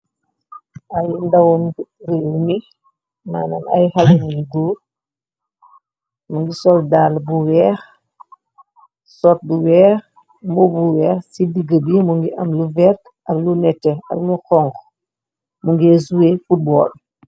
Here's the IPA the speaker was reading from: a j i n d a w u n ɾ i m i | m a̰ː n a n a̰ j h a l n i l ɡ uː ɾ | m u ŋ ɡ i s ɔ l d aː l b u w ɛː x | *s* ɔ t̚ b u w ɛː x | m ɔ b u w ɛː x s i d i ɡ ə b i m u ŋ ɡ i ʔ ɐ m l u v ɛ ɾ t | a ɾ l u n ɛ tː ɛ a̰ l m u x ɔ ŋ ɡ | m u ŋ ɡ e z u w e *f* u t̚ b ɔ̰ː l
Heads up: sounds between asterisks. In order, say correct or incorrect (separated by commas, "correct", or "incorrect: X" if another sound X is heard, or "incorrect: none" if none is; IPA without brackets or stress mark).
correct, correct